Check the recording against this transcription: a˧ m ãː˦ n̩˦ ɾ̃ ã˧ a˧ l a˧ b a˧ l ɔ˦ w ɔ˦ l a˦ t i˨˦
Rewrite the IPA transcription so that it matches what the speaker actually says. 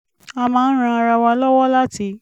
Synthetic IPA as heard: a˧ m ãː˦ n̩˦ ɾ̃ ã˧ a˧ ɾ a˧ w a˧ l ɔ˦ w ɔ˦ l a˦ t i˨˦